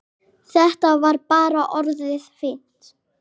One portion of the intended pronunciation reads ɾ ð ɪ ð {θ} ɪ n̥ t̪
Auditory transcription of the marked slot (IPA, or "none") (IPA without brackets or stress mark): f